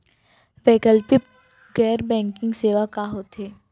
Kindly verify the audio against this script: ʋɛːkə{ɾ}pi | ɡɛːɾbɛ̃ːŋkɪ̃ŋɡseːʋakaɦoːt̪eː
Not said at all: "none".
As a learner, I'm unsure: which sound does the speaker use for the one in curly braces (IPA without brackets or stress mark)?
l